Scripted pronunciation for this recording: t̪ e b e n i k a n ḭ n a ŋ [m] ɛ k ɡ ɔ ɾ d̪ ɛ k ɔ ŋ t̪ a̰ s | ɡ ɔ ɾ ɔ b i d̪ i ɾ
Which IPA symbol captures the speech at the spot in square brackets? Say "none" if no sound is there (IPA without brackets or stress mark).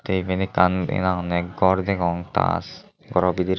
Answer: n